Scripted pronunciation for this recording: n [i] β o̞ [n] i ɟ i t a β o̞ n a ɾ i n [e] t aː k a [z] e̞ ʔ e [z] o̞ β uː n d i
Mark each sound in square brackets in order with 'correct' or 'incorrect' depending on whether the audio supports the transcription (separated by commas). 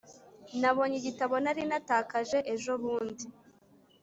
incorrect, incorrect, incorrect, incorrect, incorrect